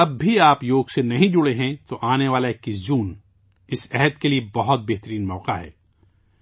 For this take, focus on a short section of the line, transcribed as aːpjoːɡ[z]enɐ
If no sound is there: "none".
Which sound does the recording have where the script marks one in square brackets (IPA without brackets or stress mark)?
s